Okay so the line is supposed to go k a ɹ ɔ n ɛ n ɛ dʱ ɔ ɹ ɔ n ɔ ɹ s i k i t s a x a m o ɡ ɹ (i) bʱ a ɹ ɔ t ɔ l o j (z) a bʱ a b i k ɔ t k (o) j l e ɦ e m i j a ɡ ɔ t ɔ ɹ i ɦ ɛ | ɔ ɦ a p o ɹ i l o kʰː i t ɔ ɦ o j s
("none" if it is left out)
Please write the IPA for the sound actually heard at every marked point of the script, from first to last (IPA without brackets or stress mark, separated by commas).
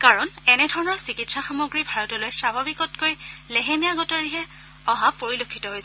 i, s, o